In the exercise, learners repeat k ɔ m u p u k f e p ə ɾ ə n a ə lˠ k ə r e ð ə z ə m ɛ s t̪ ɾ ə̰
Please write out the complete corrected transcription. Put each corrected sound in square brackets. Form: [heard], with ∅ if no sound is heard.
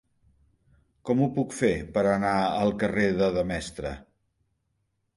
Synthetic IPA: k ɔ m u p u k f e p ə ɾ ə n a ə lˠ k ə r e ð ə [ð] ə m ɛ s t̪ ɾ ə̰

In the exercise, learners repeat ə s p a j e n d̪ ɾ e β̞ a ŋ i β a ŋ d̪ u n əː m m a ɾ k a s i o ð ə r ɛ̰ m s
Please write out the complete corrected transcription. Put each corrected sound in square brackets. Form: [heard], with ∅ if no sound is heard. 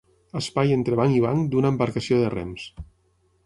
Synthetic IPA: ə s p a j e n [t̪] ɾ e β̞ a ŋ i β a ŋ d̪ u n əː m [b] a ɾ k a s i o ð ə r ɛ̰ m s

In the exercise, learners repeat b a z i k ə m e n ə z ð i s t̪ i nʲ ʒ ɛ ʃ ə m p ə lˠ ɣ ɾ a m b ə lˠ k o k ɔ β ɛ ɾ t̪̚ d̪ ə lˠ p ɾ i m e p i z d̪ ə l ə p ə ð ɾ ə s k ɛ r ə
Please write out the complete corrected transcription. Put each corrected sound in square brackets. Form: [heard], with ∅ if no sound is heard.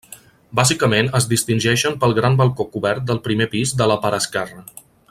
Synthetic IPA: b a z i k ə m e n ə z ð i s t̪ i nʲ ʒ ɛ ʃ ə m p ə lˠ ɣ ɾ a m b ə lˠ k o k [u] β ɛ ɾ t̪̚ d̪ ə lˠ p ɾ i m e p i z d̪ ə l ə p ə [∅] ɾ ə s k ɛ r ə

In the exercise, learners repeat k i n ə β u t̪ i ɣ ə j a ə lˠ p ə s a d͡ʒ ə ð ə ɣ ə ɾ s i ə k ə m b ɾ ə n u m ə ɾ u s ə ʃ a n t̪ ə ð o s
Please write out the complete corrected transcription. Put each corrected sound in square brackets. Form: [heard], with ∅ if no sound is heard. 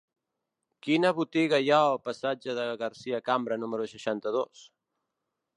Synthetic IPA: k i n ə β u t̪ i ɣ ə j a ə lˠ p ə s a d͡ʒ ə ð ə ɣ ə ɾ s i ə k [a] m b ɾ ə n u m ə ɾ u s ə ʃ a n t̪ ə ð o s

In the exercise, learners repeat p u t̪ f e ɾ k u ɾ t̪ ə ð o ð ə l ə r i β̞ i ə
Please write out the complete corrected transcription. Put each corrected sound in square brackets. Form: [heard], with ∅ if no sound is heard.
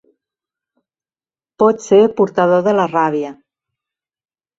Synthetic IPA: p [ɔ] t̪ [s] e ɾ [p] u ɾ t̪ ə ð o ð ə l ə r [a] β̞ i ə

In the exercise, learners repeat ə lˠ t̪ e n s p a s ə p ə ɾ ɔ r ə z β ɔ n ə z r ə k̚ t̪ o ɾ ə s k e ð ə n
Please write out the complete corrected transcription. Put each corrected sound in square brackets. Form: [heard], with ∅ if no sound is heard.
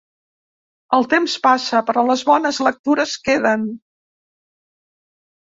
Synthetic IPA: ə lˠ t̪ e [m] s p a s ə p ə ɾ ɔ [l] ə z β ɔ n ə z [l] ə k̚ t̪ [u] ɾ ə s k e ð ə n

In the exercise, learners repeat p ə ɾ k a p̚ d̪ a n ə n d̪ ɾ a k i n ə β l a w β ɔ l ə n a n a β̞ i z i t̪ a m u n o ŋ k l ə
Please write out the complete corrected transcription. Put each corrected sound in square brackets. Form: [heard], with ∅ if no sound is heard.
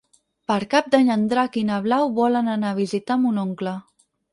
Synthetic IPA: p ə ɾ k a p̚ d̪ a [ɲ] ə n d̪ ɾ a k i n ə β l a w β ɔ l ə n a n a β̞ i z i t̪ a m u n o ŋ k l ə

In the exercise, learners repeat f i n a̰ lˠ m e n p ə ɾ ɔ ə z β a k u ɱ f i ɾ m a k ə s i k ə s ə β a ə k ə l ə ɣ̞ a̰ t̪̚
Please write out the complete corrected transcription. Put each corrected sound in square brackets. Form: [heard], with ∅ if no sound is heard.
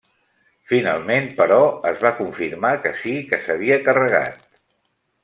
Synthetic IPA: f i n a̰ lˠ m e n p ə ɾ ɔ ə z β a k u ɱ f i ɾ m a k ə s i k ə s ə β [i] ə k ə [r] ə ɣ̞ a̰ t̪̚

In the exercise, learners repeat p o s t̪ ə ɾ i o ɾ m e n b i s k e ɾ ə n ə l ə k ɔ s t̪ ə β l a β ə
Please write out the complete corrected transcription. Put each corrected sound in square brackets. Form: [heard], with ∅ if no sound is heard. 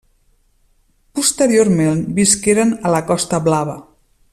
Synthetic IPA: p [u] s t̪ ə ɾ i o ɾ m e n b i s k e ɾ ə n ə l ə k ɔ s t̪ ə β l a β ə

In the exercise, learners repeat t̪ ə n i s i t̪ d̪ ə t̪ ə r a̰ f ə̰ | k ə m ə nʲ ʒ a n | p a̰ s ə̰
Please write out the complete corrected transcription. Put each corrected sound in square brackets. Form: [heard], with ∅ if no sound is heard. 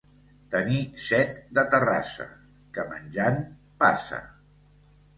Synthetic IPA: t̪ ə n i s [ɛ] t̪ d̪ ə t̪ ə r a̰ [s] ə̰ | k ə m ə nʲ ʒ a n | p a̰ s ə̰

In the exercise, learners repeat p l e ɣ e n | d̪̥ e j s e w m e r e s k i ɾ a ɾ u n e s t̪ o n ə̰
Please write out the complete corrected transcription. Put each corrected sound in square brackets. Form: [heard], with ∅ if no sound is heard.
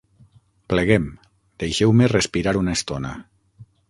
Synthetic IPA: p l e ɣ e [m] | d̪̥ e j [ʃ] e w m e r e s [p] i ɾ a ɾ u n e s t̪ o n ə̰

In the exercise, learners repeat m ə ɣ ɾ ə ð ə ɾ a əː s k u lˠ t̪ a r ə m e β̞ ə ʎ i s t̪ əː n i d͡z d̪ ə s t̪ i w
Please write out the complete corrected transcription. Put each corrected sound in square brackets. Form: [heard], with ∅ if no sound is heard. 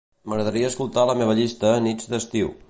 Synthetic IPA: m ə ɣ ɾ ə ð ə ɾ [i] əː s k u lˠ t̪ a [l] ə m e β̞ ə ʎ i s t̪ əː n i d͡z d̪ ə s t̪ i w

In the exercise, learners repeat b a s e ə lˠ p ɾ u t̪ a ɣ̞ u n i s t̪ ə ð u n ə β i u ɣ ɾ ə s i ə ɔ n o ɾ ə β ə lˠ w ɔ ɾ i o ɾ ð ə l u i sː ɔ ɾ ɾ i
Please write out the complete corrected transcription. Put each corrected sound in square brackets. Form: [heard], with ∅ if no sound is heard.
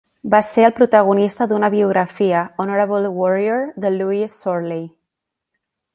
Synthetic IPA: b a s e ə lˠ p ɾ u t̪ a ɣ̞ u n i s t̪ ə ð u n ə β i u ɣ ɾ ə [f] i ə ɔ n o ɾ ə β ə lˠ w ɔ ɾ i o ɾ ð ə l u i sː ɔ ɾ [l] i

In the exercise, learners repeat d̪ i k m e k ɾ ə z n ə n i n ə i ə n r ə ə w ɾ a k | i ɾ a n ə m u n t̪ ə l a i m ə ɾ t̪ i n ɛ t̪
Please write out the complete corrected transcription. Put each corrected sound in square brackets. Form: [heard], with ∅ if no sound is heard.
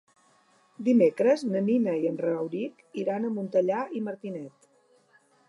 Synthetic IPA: d̪ i [∅] m e k ɾ ə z n ə n i n ə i ə n r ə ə w ɾ [i] k | i ɾ a n ə m u n t̪ ə [ʎ] a i m ə ɾ t̪ i n ɛ t̪

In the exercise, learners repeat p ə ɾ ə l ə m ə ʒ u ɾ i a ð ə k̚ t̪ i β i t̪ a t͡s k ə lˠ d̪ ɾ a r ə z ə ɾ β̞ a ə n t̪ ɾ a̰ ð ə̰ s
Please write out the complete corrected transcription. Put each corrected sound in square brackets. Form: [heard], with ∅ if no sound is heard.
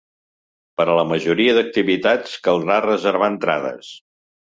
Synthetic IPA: p ə ɾ ə l ə m ə ʒ u ɾ i [ə] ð ə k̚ t̪ i β i t̪ a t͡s k ə lˠ d̪ ɾ a r ə z ə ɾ β̞ a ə n t̪ ɾ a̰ ð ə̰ s

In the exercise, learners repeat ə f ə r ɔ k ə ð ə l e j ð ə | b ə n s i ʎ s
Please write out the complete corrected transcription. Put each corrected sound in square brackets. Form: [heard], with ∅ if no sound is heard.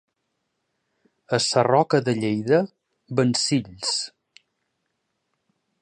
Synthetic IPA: ə [s] ə r ɔ k ə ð ə [ʎ] e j ð ə | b ə n s i ʎ s

